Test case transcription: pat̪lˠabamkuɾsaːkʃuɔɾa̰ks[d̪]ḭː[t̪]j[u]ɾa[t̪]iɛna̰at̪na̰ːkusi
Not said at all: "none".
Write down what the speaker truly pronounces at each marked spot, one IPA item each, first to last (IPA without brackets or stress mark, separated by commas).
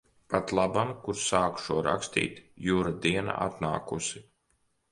t̪, t̪, uː, d̪